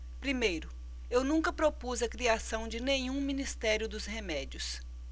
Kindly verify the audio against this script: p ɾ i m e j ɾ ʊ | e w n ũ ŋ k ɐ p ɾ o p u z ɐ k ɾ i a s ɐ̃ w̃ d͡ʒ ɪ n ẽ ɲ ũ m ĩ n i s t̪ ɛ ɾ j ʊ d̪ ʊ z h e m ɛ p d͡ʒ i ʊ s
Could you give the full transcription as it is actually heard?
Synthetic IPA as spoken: p ɾ i m e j ɾ ʊ | e w n ũ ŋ k ɐ p ɾ o p u z ɐ k ɾ i a s ɐ̃ w̃ d͡ʒ ɪ n ẽ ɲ ũ m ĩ n i s t̪ ɛ ɾ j ʊ d̪ ʊ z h e m ɛ d͡ʒ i ʊ s